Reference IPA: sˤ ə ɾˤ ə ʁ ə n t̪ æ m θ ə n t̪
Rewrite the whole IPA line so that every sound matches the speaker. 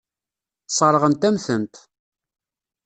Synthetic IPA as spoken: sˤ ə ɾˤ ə ʁ ə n t̪ æ m θ ə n t̪